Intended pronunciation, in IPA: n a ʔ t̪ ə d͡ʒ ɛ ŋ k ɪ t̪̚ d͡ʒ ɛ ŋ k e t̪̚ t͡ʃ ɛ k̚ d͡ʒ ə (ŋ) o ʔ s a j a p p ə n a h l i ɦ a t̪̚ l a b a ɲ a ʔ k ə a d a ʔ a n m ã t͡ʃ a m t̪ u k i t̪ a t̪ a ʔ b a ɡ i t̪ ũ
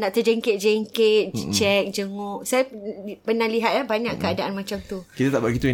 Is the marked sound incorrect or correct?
correct